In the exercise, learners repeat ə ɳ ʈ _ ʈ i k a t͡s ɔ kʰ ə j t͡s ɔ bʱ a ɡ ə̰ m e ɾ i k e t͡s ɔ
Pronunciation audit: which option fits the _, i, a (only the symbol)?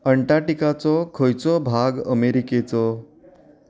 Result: a